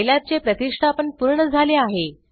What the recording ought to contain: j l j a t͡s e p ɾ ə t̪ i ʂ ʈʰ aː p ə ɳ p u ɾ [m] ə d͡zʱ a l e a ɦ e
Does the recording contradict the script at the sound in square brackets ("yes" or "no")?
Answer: yes